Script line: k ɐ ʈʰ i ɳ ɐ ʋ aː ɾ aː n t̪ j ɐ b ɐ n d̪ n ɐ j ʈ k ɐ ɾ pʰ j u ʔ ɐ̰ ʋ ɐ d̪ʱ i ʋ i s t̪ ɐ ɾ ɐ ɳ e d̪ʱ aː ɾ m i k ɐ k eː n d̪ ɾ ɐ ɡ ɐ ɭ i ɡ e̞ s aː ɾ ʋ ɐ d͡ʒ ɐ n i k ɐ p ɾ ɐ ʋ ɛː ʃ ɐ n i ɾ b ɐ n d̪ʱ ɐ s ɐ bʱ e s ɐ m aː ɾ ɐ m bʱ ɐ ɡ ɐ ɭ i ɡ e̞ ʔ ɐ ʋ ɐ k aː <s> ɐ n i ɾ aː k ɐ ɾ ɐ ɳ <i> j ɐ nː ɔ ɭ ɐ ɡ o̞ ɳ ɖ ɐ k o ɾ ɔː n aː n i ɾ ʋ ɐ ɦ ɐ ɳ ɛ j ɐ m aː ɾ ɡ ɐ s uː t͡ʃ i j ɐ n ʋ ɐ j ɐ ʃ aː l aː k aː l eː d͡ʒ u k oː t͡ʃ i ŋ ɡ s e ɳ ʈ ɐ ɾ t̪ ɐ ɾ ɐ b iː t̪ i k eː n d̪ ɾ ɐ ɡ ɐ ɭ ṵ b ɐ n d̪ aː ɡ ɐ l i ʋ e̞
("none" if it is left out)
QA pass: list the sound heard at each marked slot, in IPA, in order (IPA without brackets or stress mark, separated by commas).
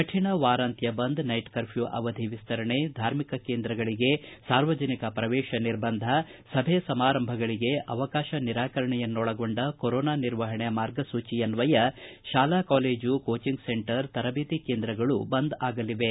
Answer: ʃ, ɛ